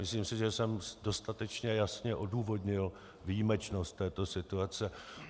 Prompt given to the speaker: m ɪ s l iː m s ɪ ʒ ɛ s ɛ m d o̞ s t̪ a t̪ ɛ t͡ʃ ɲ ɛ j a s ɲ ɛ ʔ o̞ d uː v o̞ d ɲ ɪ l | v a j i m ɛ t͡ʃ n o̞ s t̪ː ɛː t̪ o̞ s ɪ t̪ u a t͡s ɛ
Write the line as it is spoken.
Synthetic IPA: m ɪ s l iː m s ɪ ʒ ɛ s ɛ m d o̞ s t̪ a t̪ ɛ t͡ʃ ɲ ɛ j a s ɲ ɛ ʔ o̞ d uː v o̞ d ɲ ɪ l | v i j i m ɛ t͡ʃ n o̞ s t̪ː ɛː t̪ o̞ s ɪ t̪ u a t͡s ɛ